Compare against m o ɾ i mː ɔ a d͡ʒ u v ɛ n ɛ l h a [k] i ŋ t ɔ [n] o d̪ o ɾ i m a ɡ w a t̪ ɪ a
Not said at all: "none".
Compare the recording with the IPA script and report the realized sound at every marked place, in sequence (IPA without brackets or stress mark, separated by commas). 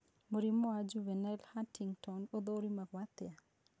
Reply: t, n